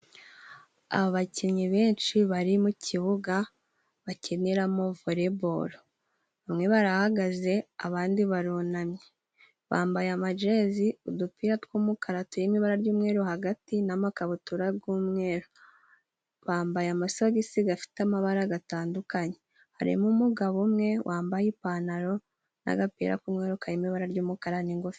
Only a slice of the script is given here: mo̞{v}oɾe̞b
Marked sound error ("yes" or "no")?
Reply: no